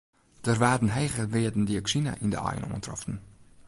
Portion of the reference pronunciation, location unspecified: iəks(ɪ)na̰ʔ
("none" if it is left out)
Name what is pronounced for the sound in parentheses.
i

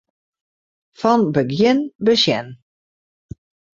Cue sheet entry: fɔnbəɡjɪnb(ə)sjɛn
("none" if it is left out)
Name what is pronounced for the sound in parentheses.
ə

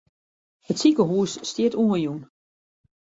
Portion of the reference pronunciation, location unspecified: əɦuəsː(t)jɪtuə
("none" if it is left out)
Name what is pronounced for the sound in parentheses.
t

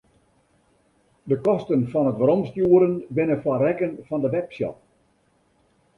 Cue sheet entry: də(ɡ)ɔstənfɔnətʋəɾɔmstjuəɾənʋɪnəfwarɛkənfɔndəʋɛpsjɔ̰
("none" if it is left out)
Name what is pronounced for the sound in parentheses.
k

